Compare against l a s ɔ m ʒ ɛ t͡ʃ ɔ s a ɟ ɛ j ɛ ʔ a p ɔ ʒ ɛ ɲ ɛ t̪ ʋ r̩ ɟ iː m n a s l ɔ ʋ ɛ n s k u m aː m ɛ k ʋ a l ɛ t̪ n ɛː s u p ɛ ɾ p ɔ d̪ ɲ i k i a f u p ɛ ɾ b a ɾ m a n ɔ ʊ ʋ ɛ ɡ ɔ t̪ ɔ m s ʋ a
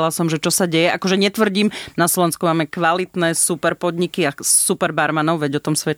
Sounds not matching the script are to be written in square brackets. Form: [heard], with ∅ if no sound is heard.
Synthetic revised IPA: l a s ɔ m ʒ ɛ t͡ʃ ɔ s a ɟ ɛ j ɛ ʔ a [k] ɔ ʒ ɛ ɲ ɛ t̪ ʋ r̩ ɟ iː m n a s l ɔ ʋ ɛ n s k u m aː m ɛ k ʋ a l [i] t̪ n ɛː s u p ɛ ɾ p ɔ d̪ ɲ i k i a [s] u p ɛ ɾ b a ɾ m a n ɔ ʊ ʋ ɛ [ɟ] ɔ t̪ ɔ m s ʋ [ɛ]